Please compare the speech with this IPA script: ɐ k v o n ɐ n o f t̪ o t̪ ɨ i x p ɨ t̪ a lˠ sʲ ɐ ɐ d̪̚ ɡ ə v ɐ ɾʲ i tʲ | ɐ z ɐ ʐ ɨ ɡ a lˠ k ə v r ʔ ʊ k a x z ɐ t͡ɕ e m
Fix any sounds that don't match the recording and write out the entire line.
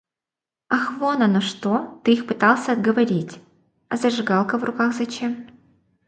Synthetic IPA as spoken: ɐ x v o n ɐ n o ʂ t̪ o t̪ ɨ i x p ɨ t̪ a lˠ sʲ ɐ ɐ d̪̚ ɡ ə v ɐ ɾʲ i tʲ | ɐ z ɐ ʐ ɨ ɡ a lˠ k ə v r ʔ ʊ k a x z ɐ t͡ɕ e m